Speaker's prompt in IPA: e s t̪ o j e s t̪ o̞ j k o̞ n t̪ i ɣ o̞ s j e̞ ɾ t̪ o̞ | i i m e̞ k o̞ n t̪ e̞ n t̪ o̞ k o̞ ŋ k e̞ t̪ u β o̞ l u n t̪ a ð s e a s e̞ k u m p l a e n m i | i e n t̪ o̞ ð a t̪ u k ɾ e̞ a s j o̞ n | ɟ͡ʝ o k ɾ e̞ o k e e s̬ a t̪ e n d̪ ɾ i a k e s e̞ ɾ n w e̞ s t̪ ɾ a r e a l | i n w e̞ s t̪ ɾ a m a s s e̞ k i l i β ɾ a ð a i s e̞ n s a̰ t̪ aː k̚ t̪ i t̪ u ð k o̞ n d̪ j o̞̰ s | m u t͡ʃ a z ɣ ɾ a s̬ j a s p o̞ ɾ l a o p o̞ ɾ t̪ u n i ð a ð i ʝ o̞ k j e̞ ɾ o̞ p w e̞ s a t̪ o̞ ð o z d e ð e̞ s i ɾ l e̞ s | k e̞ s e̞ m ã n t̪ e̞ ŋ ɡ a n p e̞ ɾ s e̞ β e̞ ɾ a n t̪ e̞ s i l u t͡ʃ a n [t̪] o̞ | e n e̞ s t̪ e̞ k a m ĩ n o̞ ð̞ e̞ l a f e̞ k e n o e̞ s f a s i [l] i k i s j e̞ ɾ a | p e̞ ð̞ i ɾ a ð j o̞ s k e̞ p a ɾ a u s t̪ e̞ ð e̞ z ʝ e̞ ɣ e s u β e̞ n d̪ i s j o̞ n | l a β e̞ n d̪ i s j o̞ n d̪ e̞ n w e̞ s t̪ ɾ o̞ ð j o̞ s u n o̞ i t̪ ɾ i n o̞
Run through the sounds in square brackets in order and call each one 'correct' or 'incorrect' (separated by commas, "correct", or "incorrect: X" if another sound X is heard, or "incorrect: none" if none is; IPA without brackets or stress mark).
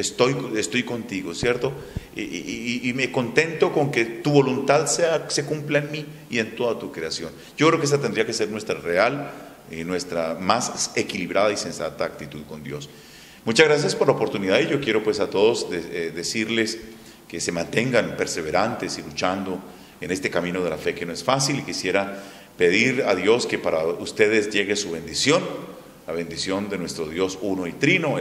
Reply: incorrect: d̪, correct